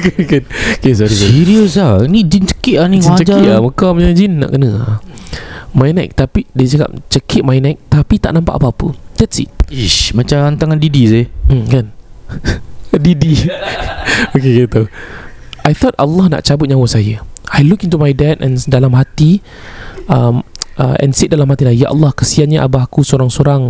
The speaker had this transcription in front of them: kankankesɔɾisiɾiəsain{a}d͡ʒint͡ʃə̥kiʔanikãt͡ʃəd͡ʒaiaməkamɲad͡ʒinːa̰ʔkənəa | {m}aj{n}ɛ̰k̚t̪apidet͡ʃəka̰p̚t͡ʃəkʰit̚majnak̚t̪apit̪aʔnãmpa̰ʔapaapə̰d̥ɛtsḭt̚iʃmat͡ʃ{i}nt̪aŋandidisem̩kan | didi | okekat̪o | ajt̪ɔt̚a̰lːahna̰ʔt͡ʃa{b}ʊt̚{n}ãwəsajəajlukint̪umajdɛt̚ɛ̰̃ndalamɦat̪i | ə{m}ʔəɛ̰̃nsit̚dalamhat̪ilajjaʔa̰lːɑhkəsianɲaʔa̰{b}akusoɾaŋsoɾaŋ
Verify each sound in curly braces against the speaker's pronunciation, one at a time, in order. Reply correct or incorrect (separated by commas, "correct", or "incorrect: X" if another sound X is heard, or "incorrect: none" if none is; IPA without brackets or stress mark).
incorrect: i, correct, correct, incorrect: a, correct, incorrect: ɲ, correct, correct